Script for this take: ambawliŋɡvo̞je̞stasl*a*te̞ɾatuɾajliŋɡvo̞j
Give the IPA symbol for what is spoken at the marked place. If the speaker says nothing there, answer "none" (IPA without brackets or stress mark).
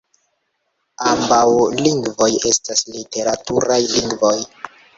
i